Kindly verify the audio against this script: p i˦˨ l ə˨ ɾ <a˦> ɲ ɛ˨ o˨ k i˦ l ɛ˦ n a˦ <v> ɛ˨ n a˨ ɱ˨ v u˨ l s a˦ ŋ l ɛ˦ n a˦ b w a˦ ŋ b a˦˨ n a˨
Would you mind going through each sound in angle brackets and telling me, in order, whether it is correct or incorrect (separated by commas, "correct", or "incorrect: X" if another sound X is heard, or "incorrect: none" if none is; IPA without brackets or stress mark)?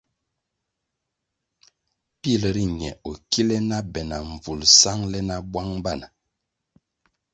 incorrect: i˦, incorrect: b